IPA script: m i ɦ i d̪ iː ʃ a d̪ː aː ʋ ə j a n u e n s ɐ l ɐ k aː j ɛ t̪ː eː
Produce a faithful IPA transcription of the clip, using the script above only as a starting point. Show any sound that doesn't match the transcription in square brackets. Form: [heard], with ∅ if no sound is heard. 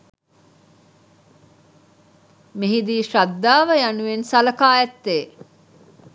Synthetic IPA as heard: m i ɦ i d̪ iː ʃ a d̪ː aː ʋ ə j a n u e n s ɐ l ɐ k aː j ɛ t̪ː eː